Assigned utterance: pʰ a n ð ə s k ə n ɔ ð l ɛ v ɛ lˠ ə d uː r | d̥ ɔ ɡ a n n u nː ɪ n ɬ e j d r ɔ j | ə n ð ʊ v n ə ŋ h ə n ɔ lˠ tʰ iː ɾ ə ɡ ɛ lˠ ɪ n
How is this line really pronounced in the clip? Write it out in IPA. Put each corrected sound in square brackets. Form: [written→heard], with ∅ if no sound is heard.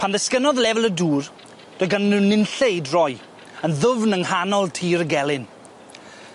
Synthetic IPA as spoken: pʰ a n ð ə s k ə n ɔ ð l ɛ v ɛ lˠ ə d uː r | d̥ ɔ ɡ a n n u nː ɪ n ɬ e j d r ɔ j | ə n ð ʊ v n ə ŋ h [ə→a] n ɔ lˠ tʰ iː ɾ ə ɡ ɛ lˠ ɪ n